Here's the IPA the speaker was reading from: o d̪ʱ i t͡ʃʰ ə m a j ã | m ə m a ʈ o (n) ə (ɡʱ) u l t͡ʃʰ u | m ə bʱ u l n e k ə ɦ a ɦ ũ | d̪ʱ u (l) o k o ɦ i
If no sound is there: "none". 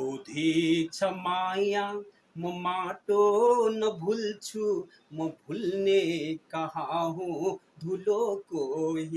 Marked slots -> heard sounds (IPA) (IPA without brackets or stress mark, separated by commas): n, bʱ, l